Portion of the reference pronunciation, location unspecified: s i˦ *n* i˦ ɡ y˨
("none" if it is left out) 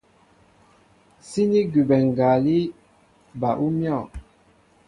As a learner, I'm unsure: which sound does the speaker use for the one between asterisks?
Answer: n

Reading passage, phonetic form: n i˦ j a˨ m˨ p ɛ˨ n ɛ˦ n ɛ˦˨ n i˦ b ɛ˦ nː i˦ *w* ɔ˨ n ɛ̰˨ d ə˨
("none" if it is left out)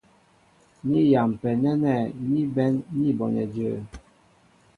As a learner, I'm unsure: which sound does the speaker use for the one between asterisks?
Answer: b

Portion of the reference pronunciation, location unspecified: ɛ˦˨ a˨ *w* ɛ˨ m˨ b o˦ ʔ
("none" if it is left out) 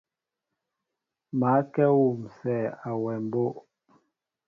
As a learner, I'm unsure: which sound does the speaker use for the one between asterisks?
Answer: w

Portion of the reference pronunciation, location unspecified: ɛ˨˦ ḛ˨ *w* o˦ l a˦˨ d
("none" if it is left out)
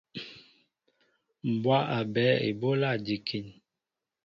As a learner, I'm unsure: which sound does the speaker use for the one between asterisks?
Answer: b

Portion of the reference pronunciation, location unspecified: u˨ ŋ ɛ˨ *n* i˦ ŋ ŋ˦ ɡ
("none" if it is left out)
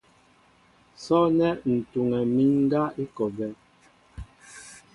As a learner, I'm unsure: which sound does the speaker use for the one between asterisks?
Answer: m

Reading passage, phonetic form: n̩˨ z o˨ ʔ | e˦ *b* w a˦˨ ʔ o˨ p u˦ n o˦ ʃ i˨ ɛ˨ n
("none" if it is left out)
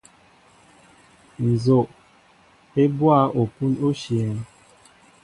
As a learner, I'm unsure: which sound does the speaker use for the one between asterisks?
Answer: b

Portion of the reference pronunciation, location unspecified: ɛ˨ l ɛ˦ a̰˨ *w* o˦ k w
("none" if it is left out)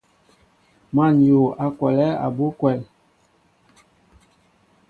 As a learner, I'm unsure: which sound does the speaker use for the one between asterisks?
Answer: b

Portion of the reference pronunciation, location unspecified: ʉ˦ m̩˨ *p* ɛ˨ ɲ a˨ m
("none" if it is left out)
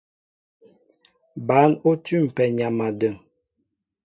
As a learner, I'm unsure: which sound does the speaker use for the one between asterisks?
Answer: p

